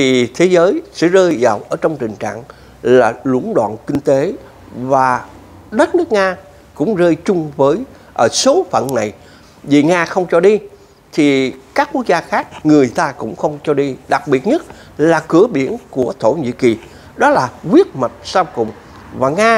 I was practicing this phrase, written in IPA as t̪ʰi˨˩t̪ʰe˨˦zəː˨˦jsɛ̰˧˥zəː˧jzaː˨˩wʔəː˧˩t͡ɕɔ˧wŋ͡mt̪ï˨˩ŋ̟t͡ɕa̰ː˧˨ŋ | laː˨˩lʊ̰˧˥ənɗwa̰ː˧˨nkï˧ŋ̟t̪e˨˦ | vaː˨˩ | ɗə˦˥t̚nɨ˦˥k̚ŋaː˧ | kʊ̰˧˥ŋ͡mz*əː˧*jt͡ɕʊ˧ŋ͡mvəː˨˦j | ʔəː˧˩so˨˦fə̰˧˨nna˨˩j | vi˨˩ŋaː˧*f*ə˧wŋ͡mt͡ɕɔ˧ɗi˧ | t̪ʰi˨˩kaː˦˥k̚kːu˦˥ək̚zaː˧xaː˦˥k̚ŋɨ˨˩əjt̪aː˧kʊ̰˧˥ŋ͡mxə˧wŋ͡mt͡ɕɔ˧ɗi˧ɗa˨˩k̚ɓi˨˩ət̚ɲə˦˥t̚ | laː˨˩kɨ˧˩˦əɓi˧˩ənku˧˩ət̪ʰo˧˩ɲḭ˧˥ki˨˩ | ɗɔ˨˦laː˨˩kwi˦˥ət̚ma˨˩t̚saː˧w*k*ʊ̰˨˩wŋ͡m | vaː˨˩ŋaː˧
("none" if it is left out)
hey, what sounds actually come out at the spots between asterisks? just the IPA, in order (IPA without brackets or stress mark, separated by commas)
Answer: əː˧, x, k